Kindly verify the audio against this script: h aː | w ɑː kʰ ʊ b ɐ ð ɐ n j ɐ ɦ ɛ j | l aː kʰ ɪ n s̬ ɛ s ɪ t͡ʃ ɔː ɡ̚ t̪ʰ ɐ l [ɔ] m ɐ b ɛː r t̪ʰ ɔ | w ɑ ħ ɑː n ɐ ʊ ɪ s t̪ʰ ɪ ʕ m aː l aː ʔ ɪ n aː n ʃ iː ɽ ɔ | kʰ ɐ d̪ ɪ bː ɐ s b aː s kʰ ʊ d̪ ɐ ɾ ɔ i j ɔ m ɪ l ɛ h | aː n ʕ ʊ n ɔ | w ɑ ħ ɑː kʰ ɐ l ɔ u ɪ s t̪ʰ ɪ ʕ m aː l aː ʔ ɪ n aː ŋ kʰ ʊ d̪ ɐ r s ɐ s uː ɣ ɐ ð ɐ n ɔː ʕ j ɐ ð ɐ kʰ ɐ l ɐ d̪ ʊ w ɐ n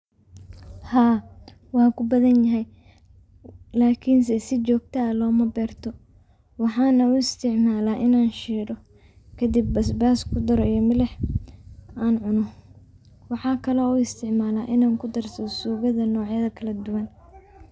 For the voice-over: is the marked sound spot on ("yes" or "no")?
no